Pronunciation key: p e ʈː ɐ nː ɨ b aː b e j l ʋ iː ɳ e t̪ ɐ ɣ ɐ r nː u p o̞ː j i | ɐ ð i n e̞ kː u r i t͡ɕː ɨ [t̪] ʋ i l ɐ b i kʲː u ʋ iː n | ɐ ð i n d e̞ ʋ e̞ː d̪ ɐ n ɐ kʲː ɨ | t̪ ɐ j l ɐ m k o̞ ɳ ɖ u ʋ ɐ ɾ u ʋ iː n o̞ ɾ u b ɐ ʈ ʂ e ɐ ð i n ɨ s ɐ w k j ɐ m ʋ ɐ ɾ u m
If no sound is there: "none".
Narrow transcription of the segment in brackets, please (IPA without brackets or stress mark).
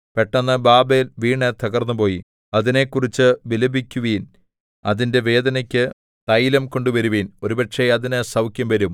none